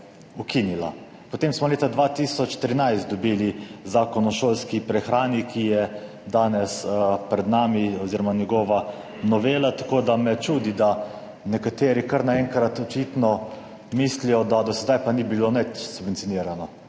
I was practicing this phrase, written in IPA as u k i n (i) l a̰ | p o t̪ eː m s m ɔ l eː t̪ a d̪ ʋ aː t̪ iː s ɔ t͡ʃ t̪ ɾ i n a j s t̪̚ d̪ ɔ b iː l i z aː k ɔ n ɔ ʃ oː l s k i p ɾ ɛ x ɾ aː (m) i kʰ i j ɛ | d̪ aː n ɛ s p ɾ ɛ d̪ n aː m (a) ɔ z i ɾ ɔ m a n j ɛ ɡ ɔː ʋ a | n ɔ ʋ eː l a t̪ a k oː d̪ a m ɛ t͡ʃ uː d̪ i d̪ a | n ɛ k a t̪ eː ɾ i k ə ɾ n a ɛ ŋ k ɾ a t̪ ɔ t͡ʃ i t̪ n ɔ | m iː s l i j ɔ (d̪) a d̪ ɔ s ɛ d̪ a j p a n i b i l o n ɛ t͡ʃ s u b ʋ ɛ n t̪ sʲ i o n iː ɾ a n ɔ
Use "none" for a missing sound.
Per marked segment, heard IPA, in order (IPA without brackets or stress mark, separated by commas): i, n, i, d̪